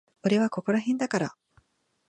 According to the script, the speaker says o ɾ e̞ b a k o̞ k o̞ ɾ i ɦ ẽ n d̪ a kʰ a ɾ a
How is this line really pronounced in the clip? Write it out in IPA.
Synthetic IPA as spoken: o ɾ e̞ β a k o̞ k o̞ ɾ a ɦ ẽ n d̪ a k a ɾ a